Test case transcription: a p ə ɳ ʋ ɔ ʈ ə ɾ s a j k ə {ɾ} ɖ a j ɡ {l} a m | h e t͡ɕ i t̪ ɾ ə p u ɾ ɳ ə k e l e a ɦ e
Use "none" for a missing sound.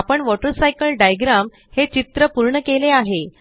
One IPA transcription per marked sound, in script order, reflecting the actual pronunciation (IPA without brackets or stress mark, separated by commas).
l, ɾ